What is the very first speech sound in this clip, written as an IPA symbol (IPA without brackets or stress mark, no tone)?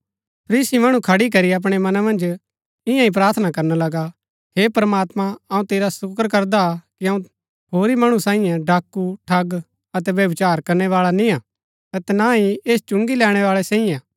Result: pʰ